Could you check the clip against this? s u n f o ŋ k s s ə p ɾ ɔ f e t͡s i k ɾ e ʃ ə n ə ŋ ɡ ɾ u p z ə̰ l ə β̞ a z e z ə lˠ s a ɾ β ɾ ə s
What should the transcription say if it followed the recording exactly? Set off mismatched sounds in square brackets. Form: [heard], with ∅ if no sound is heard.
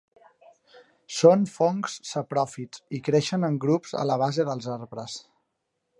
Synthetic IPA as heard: s [o] n f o ŋ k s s ə p ɾ ɔ f [i] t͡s i k ɾ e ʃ ə n ə ŋ ɡ ɾ u p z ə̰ l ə β̞ a z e [ð] ə lˠ [z] a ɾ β ɾ ə s